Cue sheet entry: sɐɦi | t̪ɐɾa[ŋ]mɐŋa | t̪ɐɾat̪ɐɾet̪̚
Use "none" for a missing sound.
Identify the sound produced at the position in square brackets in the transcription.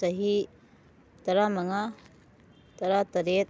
none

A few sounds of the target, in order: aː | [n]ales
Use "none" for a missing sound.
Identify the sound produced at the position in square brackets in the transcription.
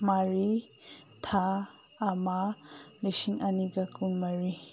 m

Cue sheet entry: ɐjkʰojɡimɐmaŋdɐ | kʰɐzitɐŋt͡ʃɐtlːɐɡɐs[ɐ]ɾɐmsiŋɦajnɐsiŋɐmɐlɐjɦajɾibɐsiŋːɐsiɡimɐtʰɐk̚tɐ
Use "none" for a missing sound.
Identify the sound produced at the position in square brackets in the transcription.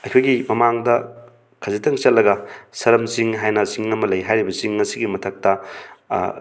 ɐ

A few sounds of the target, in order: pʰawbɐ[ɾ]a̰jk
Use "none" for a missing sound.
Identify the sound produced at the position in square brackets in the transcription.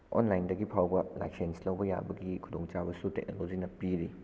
l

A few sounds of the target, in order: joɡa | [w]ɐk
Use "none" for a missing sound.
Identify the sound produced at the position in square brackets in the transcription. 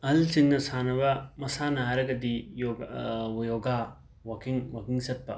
w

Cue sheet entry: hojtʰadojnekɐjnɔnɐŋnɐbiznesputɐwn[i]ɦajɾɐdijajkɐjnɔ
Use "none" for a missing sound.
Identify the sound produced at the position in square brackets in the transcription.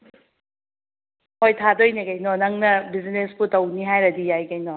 i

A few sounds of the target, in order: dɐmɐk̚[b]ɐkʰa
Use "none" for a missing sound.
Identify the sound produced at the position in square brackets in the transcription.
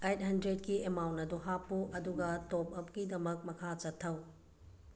m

